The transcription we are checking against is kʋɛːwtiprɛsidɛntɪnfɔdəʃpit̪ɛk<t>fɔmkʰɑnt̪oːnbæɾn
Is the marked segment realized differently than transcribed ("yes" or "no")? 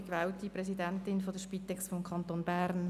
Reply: yes